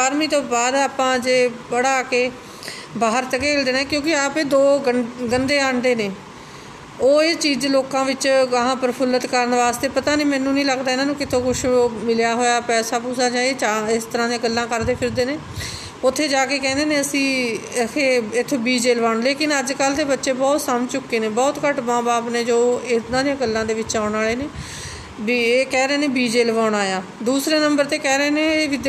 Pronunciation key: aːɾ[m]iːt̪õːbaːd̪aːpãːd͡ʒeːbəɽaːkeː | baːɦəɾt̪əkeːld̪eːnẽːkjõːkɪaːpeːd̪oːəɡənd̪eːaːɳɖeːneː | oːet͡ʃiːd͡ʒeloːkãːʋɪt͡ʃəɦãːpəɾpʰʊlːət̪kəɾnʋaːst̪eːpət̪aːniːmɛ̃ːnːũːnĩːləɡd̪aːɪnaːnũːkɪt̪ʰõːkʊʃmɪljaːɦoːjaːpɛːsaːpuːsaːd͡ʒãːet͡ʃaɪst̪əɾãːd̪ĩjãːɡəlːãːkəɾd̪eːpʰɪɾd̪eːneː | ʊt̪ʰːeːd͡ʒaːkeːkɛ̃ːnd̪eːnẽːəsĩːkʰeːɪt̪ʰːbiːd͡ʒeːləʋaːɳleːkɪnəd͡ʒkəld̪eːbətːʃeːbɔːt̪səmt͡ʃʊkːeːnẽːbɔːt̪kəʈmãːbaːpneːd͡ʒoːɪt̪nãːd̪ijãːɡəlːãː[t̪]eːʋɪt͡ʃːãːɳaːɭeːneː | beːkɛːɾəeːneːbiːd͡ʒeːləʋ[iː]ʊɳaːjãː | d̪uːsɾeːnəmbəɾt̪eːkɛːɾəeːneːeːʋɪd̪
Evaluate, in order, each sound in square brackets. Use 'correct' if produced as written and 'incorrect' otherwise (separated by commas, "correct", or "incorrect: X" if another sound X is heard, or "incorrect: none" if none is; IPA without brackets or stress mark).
correct, incorrect: d̪, incorrect: aː